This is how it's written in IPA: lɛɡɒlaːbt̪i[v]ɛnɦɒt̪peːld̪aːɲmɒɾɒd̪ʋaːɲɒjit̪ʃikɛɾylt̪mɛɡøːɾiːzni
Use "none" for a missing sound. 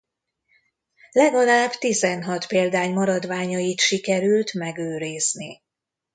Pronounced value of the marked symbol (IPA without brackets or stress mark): z